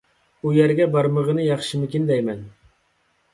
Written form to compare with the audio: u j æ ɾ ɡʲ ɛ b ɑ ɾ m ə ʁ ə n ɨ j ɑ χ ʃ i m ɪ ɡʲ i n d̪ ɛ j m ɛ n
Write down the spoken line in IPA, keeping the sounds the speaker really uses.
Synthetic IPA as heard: u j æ ɾ ɡʲ ɛ b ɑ ɾ m ə ʁ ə n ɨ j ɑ χ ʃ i m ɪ kʲ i n d̪ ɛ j m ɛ n